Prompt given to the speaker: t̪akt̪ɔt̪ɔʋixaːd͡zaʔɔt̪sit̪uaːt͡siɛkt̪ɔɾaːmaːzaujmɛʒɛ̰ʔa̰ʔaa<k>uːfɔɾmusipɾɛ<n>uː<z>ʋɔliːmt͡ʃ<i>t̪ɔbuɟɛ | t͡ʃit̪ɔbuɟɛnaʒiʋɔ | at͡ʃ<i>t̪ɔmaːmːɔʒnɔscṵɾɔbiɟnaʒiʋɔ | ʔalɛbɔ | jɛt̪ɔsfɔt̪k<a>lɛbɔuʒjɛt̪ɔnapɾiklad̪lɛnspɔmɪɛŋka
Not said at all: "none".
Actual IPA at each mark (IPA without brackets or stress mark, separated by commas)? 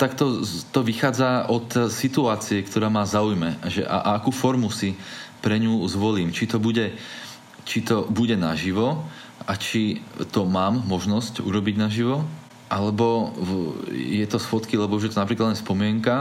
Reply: k, ɲ, z, i, i, i